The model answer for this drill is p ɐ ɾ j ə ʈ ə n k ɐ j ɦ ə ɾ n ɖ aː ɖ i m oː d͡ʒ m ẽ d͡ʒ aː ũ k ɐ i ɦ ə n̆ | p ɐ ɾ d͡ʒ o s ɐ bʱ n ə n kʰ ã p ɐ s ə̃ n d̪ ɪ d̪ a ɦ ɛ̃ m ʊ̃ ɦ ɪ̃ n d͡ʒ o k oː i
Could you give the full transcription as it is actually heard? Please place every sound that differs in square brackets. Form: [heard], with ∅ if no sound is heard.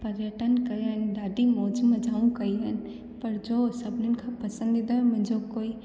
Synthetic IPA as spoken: p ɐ ɾ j ə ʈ ə n k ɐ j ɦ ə [∅] n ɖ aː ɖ i m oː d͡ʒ m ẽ d͡ʒ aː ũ k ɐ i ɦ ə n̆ | p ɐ ɾ d͡ʒ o s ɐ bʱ n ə n kʰ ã p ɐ s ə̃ n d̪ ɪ d̪ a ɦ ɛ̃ m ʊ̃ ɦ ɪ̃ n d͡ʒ o k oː i